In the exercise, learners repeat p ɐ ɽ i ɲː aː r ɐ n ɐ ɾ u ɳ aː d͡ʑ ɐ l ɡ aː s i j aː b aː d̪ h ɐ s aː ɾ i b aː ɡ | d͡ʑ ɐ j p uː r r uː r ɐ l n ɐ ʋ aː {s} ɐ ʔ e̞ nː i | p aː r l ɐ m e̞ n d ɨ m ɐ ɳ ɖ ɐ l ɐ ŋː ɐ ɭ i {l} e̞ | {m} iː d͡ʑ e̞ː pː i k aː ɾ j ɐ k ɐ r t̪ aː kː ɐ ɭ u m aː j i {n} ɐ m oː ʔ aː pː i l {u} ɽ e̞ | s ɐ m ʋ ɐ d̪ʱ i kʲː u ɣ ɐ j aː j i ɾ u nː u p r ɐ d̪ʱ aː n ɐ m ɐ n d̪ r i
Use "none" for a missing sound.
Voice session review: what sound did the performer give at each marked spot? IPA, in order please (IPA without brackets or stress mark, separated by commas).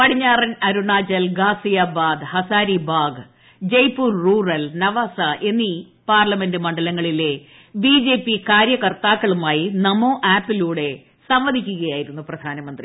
s, l, b, n, uː